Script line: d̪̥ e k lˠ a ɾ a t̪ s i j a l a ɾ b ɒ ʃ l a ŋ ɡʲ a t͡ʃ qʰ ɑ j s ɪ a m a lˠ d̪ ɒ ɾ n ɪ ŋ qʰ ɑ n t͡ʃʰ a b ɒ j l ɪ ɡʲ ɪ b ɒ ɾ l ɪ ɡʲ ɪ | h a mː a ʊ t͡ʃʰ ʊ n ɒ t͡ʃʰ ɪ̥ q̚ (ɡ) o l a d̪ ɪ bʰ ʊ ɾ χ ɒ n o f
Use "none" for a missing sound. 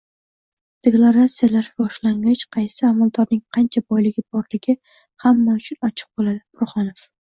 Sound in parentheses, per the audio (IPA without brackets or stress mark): b